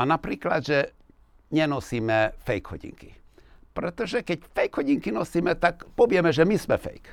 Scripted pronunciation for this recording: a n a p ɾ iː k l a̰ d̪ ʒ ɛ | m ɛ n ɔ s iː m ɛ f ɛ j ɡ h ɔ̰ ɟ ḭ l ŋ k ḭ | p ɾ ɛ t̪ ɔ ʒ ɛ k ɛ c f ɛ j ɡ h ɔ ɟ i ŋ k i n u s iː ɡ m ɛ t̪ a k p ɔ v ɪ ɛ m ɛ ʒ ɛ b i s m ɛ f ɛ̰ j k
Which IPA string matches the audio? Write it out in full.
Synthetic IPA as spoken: a n a p ɾ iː k l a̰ d̪ ʒ ɛ | ɲ ɛ n ɔ s iː m ɛ f ɛ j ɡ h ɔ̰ ɟ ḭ ŋ k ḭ | p ɾ ɛ t̪ ɔ ʒ ɛ k ɛ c f ɛ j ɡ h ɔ ɟ i ŋ k i n ɔ s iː m ɛ t̪ a k p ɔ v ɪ ɛ m ɛ ʒ ɛ m i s m ɛ f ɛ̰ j k